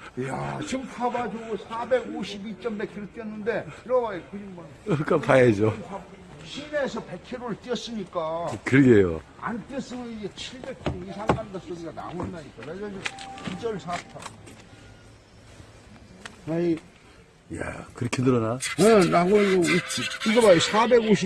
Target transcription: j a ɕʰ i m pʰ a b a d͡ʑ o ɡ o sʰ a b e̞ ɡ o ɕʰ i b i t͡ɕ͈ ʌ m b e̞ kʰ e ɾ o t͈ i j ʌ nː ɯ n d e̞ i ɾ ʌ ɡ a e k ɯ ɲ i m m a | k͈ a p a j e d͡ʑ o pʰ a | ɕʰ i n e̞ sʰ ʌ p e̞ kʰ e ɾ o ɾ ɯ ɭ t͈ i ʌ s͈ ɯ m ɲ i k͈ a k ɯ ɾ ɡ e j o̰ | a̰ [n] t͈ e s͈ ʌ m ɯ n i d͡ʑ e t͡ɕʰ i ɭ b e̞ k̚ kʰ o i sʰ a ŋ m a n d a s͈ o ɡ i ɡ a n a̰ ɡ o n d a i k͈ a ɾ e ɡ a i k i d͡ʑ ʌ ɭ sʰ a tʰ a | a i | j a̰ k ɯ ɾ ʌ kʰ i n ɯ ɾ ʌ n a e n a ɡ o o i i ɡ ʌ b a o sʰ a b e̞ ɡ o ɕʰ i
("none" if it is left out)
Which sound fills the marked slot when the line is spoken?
n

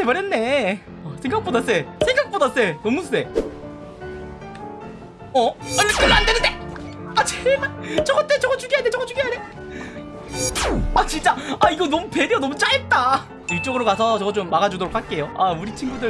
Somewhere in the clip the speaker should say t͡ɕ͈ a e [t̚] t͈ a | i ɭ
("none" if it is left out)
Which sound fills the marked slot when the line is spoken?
t̚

